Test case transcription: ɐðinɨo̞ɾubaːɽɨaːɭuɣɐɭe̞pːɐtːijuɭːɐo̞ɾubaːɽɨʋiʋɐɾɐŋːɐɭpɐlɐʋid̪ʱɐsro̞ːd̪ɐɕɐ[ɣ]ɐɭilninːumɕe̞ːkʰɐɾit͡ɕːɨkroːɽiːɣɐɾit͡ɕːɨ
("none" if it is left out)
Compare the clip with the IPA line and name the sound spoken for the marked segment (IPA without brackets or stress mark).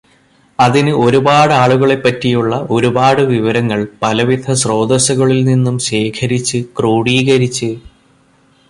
ɣ